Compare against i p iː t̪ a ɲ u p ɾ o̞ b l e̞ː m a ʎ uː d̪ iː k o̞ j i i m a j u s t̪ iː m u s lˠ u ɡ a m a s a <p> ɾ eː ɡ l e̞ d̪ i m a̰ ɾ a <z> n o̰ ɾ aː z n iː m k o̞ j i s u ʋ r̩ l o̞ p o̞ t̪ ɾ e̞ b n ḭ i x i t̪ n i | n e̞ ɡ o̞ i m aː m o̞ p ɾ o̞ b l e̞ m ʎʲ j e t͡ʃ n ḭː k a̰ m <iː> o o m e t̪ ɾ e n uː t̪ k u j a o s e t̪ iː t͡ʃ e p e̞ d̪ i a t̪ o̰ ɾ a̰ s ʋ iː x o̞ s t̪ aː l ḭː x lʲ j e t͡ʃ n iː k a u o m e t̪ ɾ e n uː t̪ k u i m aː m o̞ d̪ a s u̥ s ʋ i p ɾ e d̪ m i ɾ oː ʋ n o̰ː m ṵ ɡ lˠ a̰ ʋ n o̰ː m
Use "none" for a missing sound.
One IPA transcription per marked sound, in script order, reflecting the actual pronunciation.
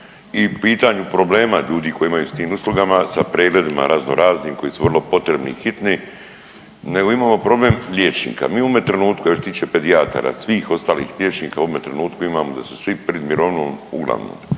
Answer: p, z, iː

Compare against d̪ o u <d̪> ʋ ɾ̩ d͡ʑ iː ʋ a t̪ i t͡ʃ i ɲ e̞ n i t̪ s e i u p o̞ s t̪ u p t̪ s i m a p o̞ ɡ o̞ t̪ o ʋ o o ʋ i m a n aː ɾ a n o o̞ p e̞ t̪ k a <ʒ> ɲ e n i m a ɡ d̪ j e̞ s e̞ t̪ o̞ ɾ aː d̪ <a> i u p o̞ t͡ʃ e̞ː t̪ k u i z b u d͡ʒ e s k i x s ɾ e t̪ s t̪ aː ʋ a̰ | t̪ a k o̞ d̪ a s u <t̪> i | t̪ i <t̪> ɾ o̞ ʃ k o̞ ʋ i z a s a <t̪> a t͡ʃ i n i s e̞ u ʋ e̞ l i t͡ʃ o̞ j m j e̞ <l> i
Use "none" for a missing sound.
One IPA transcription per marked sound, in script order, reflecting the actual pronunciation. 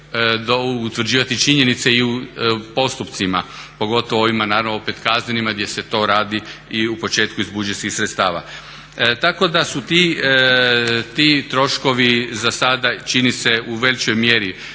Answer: t̪, z, i, t̪, t̪, d̪, ɾ

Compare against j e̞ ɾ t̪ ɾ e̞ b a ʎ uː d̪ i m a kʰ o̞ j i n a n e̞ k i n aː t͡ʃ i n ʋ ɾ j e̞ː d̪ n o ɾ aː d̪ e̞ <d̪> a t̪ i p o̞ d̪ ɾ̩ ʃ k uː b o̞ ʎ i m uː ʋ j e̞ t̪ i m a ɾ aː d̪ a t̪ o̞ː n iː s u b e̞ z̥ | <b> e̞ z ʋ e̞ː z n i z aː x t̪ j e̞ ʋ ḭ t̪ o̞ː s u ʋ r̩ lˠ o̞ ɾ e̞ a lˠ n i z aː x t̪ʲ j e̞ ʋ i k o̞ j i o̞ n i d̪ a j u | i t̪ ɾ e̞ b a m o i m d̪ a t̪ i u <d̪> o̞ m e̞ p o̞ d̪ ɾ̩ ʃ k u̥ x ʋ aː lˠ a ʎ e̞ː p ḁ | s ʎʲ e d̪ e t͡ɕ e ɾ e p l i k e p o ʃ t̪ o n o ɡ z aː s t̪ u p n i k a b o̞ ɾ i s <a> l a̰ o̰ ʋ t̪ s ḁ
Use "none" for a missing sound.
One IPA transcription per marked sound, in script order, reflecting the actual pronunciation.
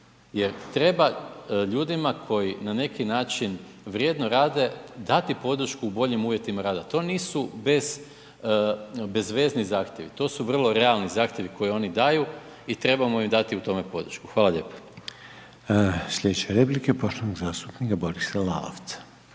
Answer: d̪, b, t̪, a

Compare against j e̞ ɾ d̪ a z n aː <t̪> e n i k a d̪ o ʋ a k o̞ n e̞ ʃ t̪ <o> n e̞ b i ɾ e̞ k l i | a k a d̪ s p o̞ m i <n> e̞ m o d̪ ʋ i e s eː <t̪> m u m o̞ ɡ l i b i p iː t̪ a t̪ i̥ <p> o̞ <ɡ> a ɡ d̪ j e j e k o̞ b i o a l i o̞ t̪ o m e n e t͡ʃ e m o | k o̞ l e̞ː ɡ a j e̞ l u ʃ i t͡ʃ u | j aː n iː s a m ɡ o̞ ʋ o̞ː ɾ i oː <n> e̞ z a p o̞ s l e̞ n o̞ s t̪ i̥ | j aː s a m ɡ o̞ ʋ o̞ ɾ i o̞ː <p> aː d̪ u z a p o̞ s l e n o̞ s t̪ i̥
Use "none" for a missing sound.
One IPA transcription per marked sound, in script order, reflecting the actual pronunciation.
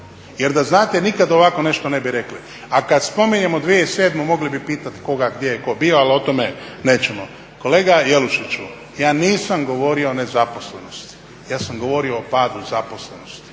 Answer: t̪, o, ɲ, d̪, k, ɡ, n, p

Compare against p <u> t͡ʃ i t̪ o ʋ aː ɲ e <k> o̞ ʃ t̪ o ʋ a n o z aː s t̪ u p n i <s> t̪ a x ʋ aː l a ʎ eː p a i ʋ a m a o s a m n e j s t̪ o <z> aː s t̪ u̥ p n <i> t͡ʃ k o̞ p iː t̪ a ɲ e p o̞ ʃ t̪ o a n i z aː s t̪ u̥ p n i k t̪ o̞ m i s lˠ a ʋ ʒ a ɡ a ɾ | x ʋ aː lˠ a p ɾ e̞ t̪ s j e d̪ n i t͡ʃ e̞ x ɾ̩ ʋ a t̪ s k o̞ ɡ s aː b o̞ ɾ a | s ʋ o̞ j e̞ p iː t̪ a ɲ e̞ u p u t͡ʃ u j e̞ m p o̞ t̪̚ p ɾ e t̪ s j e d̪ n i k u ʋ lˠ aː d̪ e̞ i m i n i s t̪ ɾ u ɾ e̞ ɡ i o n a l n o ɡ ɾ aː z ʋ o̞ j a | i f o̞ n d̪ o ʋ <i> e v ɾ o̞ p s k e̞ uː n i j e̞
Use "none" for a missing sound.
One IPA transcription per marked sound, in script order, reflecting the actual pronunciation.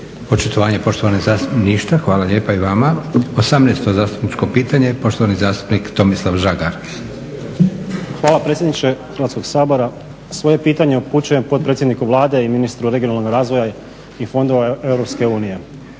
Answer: o, p, ʃ, z, i, a

